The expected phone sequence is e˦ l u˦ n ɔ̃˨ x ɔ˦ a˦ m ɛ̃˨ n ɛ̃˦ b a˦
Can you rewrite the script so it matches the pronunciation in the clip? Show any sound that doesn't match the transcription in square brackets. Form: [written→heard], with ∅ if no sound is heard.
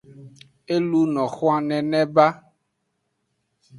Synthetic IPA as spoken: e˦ l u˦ n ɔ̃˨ x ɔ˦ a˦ [m→n] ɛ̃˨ n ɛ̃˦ b a˦